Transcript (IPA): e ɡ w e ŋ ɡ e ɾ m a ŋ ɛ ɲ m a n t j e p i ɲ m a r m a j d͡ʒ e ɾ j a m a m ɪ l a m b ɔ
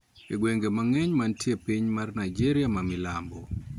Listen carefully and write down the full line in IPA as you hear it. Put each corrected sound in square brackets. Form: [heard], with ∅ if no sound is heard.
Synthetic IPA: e ɡ w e ŋ ɡ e [∅] m a ŋ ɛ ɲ m a n t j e p i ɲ m a r [n] a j d͡ʒ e ɾ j a m a m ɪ l a m b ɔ